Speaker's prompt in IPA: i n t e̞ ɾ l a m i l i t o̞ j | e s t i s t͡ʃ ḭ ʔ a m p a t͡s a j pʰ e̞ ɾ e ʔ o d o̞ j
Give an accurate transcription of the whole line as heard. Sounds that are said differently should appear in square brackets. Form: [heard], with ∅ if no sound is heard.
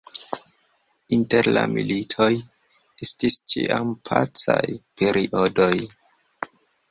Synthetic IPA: i n t e̞ ɾ l a m i l i [tʰ] o̞ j | e s t i s t͡ʃ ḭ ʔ a m [pʰ] a t͡s a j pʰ e̞ ɾ [i] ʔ o d o̞ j